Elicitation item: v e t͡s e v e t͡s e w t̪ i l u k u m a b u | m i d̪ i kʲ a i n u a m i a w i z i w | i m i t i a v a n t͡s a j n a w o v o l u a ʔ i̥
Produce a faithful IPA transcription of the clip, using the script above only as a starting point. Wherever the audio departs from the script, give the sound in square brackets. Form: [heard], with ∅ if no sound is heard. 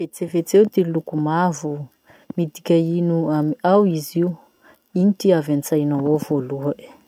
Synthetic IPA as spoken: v e t͡s e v e t͡s e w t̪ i l u k u m a [v] u | m i d̪ i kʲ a i n u a m i a w i z i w | i [n] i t i a v a n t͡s a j n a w o v o l u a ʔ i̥